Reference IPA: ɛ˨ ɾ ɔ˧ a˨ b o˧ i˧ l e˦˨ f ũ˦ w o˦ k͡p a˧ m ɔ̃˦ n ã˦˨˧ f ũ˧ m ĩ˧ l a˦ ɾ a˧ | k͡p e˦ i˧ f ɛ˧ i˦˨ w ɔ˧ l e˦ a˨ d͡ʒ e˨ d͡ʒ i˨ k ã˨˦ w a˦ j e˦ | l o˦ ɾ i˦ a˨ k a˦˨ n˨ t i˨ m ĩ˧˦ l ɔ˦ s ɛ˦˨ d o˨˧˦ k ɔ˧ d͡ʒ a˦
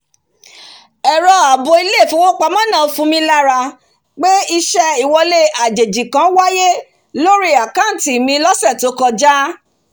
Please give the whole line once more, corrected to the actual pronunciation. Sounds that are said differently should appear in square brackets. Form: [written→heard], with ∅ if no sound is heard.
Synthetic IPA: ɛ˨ ɾ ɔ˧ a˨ b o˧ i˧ l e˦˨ f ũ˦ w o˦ k͡p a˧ m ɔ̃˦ n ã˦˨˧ f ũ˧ m ĩ˧ l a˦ ɾ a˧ | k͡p e˦ i˧ [f→ʃ] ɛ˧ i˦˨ w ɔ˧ l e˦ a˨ d͡ʒ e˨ d͡ʒ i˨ k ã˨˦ w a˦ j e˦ | l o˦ ɾ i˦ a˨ k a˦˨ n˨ t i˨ m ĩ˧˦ l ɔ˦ s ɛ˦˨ [d→t] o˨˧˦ k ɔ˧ d͡ʒ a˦